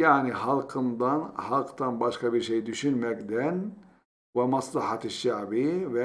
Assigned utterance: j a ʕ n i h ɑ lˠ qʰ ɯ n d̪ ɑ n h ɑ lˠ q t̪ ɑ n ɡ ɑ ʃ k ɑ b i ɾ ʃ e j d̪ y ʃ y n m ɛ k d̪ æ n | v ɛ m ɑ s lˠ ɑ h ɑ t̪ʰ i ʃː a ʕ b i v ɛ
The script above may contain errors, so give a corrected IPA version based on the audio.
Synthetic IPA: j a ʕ n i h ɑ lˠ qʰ ɯ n d̪ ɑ n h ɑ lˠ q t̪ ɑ n b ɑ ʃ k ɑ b i ɾ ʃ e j d̪ y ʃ y n m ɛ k d̪ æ n | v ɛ m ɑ s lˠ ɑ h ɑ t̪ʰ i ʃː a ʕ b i v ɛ